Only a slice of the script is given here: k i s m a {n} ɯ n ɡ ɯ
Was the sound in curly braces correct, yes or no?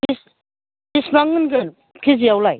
no